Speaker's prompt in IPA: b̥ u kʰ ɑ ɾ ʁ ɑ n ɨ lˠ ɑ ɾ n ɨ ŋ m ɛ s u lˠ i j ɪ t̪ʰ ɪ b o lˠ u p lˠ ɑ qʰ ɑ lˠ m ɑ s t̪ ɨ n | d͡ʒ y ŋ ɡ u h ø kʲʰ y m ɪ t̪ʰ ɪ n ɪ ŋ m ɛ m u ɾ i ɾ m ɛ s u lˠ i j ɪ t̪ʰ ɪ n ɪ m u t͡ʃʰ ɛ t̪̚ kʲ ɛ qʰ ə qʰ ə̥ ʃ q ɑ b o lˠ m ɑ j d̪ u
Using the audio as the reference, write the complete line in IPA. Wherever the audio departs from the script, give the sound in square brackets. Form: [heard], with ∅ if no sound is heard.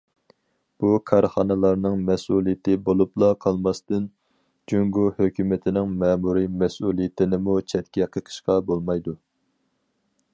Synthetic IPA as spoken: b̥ u kʰ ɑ ɾ [χ] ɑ n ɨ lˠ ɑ ɾ n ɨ ŋ m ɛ s u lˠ i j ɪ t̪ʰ ɪ b o lˠ u p lˠ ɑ qʰ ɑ lˠ m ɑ s t̪ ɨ n | d͡ʒ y ŋ ɡ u h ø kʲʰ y m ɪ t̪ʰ ɪ n ɪ ŋ m ɛ m u ɾ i [∅] m ɛ s u lˠ i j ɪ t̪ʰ ɪ n ɪ m u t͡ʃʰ ɛ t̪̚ kʲ ɛ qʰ ə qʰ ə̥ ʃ q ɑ b o lˠ m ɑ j d̪ u